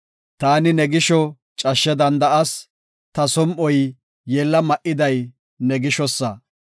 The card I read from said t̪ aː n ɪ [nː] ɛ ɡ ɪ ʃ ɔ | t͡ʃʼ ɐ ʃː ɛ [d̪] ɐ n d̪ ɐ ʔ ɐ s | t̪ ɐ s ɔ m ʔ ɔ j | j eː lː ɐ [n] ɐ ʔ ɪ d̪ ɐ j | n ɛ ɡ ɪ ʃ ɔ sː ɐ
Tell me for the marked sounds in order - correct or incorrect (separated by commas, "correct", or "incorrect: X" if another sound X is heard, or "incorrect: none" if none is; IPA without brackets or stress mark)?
incorrect: n, correct, incorrect: m